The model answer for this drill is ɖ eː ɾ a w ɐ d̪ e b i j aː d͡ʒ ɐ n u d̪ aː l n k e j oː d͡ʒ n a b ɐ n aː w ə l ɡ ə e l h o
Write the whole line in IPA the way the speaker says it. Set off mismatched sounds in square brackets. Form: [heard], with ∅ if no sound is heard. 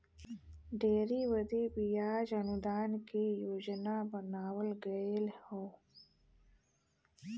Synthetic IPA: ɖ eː ɾ [i] w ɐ d̪ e b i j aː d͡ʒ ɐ n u d̪ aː [∅] n k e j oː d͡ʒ n a b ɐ n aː w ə l ɡ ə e l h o